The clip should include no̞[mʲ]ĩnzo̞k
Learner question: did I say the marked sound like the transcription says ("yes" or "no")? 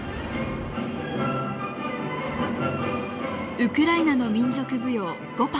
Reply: yes